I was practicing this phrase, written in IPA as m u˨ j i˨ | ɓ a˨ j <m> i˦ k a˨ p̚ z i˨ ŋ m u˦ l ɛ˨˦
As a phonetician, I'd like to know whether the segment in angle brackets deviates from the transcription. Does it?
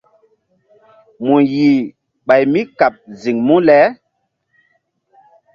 no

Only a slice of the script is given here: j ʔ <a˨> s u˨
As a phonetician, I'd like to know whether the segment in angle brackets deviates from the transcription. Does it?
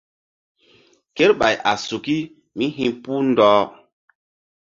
no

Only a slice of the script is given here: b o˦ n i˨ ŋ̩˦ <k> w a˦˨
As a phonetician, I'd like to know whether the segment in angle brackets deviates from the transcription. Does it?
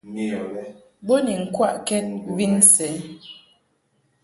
no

